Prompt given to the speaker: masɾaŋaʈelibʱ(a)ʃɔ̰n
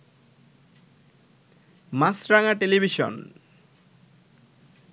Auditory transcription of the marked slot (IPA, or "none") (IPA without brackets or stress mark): i